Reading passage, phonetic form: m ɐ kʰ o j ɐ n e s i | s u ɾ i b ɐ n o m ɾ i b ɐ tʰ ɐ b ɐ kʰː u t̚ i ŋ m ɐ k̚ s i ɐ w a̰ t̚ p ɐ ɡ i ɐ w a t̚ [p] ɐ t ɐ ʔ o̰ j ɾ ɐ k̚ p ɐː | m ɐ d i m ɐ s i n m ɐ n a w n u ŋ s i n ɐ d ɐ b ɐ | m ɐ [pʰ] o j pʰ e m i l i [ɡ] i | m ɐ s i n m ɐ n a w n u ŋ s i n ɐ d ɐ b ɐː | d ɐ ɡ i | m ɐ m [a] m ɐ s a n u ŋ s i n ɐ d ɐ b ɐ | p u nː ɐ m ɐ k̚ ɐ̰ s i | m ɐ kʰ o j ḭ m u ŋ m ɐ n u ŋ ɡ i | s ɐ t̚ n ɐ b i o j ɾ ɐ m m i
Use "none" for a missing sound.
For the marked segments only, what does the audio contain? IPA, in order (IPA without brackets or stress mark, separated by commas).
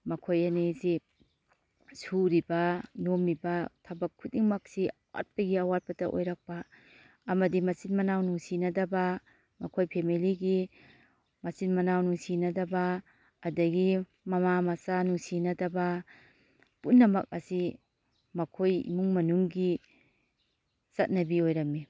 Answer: p, kʰ, ɡ, a